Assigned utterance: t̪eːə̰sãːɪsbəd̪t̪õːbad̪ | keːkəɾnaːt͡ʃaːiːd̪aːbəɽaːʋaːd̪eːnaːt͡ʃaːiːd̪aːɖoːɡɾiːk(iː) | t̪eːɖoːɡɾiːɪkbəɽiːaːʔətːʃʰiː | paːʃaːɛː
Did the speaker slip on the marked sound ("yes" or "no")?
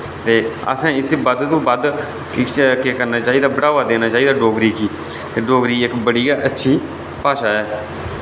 no